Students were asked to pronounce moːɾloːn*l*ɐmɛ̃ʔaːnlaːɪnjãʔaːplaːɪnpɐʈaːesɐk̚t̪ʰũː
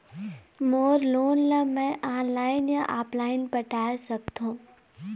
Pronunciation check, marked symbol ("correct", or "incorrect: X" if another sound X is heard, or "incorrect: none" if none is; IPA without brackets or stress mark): correct